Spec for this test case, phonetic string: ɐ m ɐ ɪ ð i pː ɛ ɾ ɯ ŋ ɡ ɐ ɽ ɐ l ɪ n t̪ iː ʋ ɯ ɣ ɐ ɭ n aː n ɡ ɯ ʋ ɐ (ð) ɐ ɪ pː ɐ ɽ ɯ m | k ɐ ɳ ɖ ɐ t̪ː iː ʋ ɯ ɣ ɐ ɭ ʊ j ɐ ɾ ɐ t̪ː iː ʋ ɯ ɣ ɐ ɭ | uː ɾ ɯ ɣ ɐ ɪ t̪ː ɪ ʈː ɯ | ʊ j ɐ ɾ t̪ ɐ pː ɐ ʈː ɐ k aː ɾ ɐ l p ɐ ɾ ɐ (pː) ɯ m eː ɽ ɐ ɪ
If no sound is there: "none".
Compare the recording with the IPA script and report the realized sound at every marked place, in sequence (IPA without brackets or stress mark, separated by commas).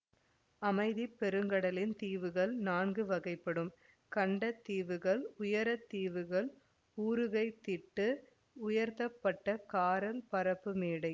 ɣ, pː